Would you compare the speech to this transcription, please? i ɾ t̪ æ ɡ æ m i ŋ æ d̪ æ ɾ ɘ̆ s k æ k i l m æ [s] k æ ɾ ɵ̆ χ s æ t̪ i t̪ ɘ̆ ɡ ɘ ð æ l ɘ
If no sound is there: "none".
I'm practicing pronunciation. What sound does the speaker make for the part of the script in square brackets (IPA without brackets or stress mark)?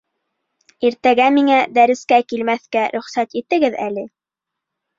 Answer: θ